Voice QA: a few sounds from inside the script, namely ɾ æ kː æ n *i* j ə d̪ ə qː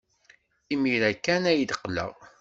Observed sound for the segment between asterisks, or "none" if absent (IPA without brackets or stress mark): æ